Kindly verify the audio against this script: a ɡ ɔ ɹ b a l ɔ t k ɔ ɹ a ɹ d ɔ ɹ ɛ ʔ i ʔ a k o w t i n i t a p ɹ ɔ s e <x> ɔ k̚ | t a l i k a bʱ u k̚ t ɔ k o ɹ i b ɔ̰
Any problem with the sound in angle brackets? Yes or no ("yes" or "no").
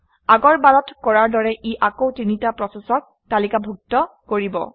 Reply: yes